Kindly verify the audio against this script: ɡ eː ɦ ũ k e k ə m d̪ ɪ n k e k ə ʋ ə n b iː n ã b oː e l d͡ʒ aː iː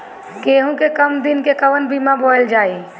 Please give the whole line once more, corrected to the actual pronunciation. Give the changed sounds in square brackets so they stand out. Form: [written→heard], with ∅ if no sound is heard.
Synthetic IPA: [ɡ→k] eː ɦ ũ k e k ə m d̪ ɪ n k e k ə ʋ ə n b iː [n→m] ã b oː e l d͡ʒ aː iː